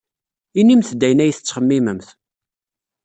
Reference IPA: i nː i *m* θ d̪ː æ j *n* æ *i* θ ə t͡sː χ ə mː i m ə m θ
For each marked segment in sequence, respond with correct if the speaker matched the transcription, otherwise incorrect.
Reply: correct, correct, incorrect

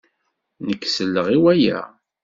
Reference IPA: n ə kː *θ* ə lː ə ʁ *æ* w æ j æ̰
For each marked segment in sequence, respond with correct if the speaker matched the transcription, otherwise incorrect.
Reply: incorrect, incorrect

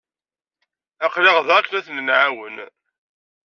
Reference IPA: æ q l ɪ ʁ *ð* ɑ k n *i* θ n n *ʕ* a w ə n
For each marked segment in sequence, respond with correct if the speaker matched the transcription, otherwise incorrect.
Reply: correct, incorrect, correct

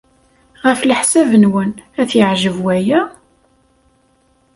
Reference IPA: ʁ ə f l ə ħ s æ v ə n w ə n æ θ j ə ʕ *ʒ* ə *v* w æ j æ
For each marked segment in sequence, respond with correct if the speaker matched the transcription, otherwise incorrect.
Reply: correct, correct

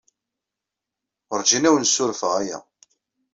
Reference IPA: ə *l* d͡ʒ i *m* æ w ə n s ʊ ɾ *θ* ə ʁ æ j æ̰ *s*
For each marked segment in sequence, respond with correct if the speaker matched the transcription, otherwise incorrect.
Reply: incorrect, incorrect, incorrect, incorrect

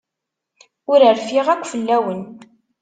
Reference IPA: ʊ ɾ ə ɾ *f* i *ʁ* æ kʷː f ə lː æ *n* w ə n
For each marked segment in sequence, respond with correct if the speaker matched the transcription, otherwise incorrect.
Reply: correct, correct, incorrect

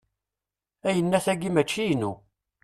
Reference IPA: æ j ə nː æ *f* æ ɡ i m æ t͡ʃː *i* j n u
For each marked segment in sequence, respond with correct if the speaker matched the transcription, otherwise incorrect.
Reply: incorrect, correct

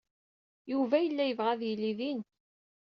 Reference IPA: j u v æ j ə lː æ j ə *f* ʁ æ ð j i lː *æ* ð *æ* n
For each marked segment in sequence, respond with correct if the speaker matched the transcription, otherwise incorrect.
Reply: incorrect, incorrect, incorrect

